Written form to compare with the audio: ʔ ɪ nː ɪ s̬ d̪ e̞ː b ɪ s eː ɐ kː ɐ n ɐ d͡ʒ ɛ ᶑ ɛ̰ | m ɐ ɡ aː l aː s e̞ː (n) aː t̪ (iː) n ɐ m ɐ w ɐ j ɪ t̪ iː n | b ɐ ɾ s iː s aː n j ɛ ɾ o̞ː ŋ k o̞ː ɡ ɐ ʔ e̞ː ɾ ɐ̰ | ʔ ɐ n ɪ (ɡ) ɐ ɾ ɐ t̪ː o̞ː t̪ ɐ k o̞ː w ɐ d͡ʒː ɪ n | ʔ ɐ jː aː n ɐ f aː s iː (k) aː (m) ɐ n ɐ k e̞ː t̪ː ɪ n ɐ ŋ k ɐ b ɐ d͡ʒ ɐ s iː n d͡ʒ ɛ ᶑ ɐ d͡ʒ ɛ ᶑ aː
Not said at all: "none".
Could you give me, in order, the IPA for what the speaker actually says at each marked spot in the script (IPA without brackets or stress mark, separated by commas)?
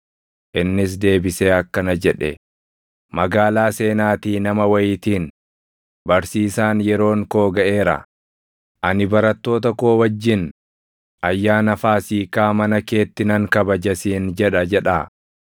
n, iː, b, k, m